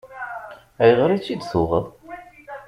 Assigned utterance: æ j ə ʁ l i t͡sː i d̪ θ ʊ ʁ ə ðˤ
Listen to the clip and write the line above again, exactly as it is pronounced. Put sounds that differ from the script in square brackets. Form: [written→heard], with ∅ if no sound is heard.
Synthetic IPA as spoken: æ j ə ʁ [l→ɾ] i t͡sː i d̪ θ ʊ ʁ ə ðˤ